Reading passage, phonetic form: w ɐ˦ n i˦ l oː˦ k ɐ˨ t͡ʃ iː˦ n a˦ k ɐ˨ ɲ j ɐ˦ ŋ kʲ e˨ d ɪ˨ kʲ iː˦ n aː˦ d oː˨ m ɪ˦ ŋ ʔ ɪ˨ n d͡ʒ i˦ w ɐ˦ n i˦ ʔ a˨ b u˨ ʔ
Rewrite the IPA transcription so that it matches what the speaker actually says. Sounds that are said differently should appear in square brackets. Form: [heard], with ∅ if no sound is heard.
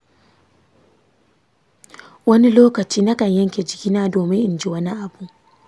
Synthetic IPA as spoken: w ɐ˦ n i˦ l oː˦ k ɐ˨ t͡ʃ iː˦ n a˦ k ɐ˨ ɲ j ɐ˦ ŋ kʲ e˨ [d͡ʒ] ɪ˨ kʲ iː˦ n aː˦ d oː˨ m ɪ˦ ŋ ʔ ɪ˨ n d͡ʒ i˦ w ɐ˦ n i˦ ʔ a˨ b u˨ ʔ